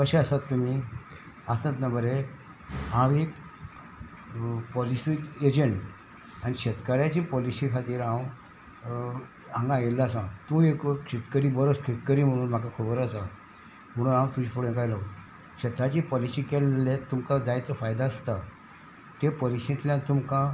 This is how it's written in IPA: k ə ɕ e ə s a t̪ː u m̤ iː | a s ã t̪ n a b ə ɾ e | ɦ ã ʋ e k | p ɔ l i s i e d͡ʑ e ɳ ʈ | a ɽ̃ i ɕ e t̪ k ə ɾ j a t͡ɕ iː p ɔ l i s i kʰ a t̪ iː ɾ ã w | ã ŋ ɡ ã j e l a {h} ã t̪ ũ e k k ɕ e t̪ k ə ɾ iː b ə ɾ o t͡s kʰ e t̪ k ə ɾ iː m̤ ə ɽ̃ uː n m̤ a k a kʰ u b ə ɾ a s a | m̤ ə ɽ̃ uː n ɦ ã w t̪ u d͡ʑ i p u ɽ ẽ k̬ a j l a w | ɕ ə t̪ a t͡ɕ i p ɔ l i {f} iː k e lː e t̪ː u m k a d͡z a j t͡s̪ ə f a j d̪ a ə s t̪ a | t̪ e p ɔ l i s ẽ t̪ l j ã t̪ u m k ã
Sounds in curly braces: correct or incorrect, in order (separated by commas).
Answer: incorrect, incorrect